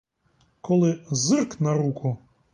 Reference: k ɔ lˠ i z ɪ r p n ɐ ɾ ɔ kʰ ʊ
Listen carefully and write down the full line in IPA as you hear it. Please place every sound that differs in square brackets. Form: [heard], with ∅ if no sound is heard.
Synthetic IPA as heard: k ɔ lˠ [ɪ] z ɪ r [k] n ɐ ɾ [u] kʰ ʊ